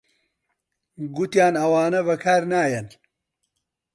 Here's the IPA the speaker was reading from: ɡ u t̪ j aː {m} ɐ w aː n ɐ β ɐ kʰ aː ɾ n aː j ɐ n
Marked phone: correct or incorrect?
incorrect